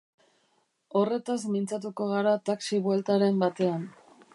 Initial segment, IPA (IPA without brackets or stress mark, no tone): o̞